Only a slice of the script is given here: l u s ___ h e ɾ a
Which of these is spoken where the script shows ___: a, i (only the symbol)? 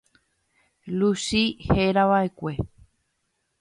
i